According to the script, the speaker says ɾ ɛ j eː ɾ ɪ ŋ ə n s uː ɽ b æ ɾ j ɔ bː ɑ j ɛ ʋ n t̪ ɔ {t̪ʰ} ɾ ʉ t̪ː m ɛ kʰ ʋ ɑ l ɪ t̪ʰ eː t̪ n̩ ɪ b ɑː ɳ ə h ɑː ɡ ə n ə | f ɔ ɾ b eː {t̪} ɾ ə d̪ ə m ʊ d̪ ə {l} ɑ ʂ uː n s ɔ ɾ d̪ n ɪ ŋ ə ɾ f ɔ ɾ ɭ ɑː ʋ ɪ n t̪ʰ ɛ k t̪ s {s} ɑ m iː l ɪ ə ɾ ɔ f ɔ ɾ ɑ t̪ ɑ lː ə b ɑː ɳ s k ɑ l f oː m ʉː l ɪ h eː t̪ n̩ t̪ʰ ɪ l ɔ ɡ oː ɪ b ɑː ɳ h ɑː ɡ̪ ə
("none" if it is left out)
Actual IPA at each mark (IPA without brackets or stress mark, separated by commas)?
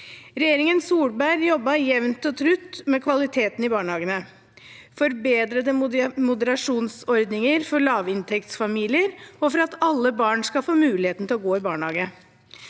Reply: t̪ʰ, d̪, ɾ, f